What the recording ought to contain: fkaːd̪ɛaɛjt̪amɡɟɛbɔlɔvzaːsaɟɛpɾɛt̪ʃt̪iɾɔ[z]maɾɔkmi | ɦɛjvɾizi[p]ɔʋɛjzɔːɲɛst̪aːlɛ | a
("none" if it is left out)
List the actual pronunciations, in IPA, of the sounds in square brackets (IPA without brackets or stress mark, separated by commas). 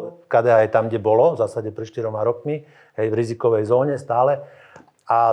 none, k